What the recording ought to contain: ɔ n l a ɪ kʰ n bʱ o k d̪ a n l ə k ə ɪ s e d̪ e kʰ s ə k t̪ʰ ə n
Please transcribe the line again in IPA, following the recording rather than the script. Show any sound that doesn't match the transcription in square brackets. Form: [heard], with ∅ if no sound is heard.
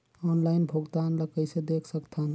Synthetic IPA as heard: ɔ n l a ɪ [∅] n bʱ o [ɡ] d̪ a n l ə k ə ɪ s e d̪ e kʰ s ə k t̪ʰ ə n